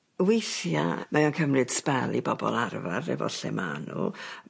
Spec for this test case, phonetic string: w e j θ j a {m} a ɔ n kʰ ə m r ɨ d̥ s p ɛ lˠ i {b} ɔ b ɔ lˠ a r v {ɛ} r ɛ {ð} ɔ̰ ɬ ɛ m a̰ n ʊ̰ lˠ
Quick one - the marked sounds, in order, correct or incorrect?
correct, correct, incorrect, incorrect

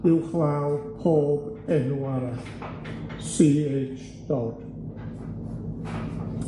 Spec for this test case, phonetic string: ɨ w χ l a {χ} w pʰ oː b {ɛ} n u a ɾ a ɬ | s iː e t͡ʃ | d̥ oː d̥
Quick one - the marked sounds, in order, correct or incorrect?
incorrect, correct

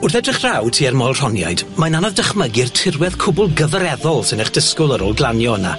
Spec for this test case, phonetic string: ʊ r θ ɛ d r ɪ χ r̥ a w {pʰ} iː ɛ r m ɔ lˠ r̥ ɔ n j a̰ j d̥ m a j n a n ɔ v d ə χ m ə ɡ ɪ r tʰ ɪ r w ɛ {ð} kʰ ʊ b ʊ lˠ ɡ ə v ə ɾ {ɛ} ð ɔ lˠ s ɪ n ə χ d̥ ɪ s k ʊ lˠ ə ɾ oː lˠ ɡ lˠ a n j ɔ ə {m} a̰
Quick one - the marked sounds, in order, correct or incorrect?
incorrect, correct, correct, incorrect

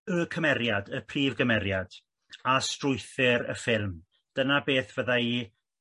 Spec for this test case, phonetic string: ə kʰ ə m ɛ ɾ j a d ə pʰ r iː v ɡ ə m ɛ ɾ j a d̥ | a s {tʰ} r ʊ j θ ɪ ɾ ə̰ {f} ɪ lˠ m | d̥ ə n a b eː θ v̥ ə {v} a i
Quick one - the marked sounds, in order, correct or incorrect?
incorrect, correct, incorrect

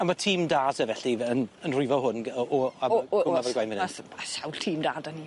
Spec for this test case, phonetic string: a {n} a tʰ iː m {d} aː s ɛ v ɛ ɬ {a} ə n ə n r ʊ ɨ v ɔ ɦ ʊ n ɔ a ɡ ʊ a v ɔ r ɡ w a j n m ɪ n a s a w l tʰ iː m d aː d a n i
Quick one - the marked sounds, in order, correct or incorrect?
incorrect, correct, incorrect

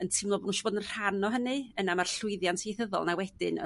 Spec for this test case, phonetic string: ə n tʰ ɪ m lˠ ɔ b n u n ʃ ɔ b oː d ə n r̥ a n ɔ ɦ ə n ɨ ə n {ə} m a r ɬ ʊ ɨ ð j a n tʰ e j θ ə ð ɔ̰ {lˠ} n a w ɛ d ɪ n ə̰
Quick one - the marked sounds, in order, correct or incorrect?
incorrect, correct

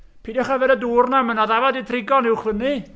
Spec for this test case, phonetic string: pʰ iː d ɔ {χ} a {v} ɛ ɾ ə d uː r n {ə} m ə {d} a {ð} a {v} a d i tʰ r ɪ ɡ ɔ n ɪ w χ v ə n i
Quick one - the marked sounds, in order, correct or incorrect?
correct, correct, incorrect, incorrect, correct, correct

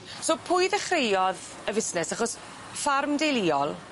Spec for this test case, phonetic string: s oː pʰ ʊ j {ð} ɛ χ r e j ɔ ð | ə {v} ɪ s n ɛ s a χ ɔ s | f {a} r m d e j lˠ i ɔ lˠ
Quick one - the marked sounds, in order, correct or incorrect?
correct, correct, correct

